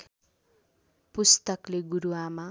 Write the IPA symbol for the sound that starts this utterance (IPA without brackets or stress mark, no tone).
p